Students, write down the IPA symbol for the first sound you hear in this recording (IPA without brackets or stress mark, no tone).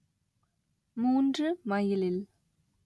m